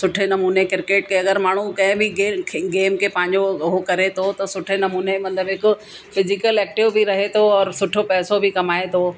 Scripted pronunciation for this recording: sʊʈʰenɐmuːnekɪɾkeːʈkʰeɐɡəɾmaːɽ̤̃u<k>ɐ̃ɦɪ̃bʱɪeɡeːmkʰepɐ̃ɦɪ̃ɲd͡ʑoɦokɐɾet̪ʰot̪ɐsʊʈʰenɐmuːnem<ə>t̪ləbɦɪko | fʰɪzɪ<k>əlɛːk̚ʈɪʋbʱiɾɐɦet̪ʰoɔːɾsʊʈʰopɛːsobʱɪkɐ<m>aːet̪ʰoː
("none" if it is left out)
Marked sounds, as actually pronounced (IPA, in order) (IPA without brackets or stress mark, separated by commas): k, ɐ, k, m